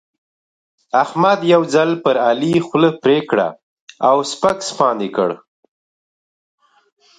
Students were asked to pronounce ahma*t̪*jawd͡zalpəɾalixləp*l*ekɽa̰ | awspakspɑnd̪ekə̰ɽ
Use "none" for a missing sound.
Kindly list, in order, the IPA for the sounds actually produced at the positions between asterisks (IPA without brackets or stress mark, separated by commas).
d̪, ɾ